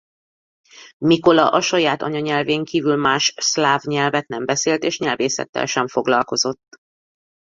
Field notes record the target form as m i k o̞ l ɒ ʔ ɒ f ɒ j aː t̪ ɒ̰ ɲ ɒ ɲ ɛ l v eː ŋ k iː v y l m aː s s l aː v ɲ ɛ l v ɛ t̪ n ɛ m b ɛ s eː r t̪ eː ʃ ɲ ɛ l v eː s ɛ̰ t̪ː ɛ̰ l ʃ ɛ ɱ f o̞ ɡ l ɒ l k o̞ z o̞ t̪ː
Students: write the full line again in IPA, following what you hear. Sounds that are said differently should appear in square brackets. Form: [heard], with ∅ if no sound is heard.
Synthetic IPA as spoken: m i k o̞ l ɒ ʔ ɒ [ʃ] ɒ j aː t̪ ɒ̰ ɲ ɒ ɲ ɛ l v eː ŋ k iː v y l m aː [ʃ] s l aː v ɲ ɛ l v ɛ t̪ n ɛ m b ɛ s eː [l] t̪ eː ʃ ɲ ɛ l v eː s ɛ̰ t̪ː ɛ̰ l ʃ ɛ ɱ f o̞ ɡ l ɒ l k o̞ z o̞ t̪ː